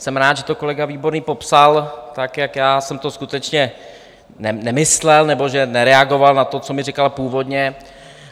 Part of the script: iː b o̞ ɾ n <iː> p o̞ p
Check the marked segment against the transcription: correct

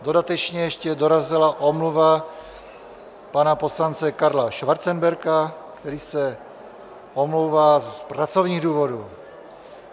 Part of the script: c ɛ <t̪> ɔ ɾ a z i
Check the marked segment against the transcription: incorrect: d̪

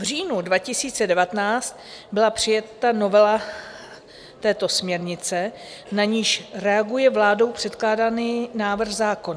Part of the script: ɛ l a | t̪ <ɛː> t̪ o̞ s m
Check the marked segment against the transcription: correct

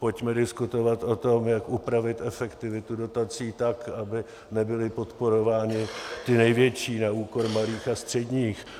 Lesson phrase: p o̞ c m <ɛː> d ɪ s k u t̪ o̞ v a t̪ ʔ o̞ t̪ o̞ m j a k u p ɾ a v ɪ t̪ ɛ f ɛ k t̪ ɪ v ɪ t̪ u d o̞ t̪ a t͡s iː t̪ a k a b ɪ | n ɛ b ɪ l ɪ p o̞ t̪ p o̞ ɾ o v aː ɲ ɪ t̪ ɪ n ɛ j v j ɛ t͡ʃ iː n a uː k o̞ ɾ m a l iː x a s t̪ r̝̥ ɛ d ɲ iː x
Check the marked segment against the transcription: incorrect: ɛ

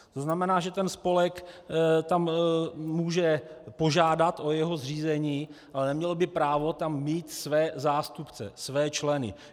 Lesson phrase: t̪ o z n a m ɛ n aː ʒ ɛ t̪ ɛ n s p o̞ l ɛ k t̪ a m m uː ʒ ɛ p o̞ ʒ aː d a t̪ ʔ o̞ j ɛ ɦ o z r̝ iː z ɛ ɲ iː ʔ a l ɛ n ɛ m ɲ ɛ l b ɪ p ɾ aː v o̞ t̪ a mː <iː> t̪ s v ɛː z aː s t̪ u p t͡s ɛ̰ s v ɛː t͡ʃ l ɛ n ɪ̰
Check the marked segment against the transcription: correct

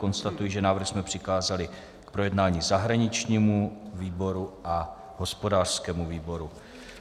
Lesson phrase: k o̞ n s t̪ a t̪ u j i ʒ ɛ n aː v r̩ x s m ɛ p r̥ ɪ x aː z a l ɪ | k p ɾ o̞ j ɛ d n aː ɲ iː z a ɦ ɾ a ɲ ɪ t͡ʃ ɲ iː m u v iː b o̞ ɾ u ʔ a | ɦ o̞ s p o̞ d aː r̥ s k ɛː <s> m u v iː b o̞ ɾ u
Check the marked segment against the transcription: incorrect: none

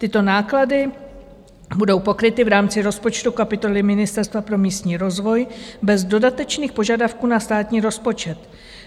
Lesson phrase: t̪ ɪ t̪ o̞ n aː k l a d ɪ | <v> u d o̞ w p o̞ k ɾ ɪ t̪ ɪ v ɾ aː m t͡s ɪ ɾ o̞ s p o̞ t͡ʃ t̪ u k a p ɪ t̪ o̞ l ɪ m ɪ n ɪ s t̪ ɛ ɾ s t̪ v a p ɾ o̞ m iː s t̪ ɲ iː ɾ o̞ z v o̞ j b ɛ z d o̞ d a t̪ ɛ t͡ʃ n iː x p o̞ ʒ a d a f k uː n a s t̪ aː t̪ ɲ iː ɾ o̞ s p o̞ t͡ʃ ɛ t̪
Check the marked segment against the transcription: incorrect: b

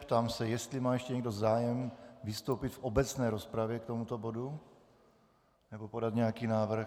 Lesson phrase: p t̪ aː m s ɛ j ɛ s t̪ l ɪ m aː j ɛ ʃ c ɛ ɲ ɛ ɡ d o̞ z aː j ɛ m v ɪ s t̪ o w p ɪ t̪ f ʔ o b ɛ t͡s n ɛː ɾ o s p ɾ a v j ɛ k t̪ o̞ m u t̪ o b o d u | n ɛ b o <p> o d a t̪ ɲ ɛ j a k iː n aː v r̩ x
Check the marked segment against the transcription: correct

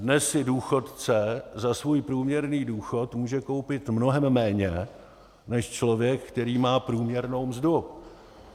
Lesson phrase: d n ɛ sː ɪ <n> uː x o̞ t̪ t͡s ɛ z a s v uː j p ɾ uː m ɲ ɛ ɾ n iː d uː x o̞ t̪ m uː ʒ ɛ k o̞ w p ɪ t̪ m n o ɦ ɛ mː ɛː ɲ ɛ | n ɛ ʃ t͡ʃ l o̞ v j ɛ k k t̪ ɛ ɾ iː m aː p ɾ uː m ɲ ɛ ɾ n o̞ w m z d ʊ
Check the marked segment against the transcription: incorrect: d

